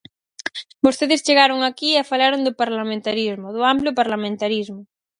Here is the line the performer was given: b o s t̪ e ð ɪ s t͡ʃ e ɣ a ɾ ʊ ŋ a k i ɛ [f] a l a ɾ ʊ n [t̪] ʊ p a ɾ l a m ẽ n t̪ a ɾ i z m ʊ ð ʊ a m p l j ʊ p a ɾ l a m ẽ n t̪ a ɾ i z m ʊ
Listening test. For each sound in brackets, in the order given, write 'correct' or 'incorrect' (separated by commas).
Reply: correct, incorrect